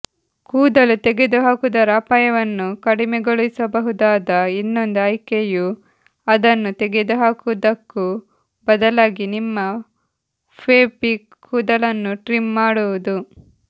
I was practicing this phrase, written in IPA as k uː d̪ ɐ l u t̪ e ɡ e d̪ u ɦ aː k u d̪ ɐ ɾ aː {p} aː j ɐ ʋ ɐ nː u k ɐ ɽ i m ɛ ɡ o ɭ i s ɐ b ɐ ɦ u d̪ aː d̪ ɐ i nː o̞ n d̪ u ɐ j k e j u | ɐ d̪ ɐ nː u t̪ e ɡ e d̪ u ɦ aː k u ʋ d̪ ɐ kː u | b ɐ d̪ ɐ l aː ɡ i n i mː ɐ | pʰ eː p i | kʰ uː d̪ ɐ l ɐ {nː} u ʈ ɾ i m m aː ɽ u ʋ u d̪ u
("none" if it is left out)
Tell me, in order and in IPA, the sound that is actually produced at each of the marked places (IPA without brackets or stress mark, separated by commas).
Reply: p, nː